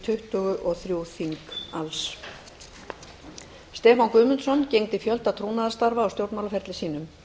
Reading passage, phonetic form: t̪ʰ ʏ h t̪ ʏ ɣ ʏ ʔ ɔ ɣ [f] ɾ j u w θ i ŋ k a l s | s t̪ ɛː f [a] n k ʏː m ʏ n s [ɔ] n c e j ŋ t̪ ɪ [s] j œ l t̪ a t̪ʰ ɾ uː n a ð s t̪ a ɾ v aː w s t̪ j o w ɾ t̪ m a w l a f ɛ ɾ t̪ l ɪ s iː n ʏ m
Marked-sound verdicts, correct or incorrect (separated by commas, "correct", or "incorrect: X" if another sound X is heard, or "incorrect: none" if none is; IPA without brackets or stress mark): incorrect: θ, correct, correct, incorrect: f